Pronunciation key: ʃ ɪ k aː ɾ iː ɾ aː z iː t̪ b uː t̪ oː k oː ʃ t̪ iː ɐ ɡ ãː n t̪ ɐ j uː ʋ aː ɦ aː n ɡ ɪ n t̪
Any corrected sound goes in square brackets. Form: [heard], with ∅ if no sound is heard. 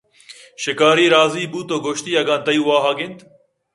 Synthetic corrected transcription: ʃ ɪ k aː ɾ iː ɾ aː z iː [∅] b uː t̪ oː [ɡ] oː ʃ t̪ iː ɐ ɡ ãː n t̪ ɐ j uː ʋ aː ɦ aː [∅] ɡ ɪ n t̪